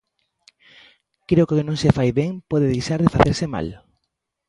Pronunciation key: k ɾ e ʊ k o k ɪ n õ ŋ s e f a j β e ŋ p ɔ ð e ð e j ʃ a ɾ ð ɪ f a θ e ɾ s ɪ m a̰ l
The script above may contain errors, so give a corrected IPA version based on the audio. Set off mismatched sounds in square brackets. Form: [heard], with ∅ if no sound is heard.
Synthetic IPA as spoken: k ɾ e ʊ k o k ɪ n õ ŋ s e f a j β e ŋ p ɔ ð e ð e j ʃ a ɾ ð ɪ f a θ e ɾ s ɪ m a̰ l

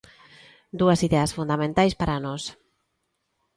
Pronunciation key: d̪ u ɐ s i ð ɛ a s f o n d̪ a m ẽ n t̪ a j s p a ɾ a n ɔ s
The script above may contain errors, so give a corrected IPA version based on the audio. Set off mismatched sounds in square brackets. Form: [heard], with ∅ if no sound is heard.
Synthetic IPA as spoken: d̪ u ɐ s i ð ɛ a s f [u] n d̪ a m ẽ n t̪ a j s p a ɾ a n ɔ s

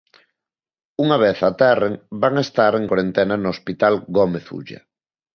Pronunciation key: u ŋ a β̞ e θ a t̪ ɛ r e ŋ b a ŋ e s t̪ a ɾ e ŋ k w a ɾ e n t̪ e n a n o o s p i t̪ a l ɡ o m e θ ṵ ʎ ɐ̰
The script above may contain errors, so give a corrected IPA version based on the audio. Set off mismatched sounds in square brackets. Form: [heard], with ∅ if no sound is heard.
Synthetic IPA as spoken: u ŋ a β̞ e θ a t̪ ɛ r e ŋ b a ŋ e s t̪ a ɾ e ŋ k w a ɾ e n t̪ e n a n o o s p i t̪ a l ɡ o m e θ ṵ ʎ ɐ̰

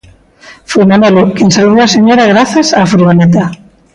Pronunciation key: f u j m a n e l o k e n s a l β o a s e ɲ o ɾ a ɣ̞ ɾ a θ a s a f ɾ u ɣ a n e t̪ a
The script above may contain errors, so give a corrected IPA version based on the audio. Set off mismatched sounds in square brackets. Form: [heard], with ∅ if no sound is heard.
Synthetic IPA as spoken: f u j m a n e l o k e n s a l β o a s e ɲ o ɾ a ɣ̞ ɾ a θ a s a f ɾ u ɣ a n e t̪ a

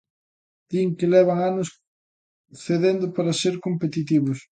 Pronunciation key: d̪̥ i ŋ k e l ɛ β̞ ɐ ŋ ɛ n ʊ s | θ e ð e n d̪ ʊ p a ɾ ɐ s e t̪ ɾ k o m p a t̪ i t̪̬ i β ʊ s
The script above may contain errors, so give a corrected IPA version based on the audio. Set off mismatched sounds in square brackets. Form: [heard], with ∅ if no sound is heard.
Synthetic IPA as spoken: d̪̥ i ŋ k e l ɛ β̞ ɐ ŋ [a] n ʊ s | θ e ð e n d̪ ʊ p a ɾ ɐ s e [∅] ɾ k o m p [e] t̪ i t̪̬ i β ʊ s

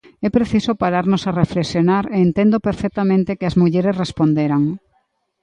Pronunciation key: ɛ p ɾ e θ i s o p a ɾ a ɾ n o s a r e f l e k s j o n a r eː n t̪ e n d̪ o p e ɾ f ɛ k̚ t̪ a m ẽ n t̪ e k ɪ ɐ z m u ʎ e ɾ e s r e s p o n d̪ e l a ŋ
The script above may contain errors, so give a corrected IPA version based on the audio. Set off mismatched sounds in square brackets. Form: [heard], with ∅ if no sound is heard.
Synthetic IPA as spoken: ɛ p ɾ e θ i s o p a ɾ a ɾ n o s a r e f l e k s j o n a [ɾ] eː n t̪ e n d̪ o p e ɾ f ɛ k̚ t̪ a m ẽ n t̪ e k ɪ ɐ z m u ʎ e ɾ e s r e s p o n d̪ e [ɾ] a ŋ

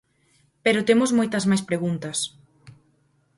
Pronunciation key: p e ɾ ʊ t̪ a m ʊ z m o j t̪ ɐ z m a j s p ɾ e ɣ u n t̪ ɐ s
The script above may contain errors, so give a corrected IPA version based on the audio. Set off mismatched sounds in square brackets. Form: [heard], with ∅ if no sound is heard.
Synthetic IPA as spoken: p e ɾ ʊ t̪ [e] m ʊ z m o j t̪ ɐ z m a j s p ɾ e ɣ u n t̪ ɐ s

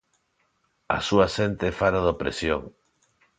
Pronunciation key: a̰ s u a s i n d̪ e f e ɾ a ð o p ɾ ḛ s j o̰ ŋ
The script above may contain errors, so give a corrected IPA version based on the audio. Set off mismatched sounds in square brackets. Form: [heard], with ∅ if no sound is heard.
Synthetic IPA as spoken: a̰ s u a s [e] n [t̪] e f [a] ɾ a ð o p ɾ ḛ s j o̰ ŋ

